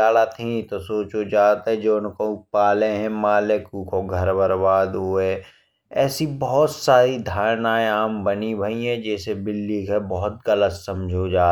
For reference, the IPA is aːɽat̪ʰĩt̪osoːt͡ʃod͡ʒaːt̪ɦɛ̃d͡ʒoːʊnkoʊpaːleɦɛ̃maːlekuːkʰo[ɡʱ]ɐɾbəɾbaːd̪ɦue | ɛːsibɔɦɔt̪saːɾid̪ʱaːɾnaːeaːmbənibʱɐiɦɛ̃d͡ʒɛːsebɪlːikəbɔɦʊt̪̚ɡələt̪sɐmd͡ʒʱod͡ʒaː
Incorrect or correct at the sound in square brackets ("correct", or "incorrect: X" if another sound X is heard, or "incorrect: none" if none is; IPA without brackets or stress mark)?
correct